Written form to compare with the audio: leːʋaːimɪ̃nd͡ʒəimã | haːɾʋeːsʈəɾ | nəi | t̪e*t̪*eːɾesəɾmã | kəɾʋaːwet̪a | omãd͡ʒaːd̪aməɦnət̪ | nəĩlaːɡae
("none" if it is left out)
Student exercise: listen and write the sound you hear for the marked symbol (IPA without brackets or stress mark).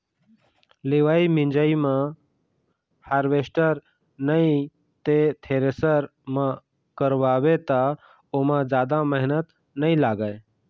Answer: t̪ʰ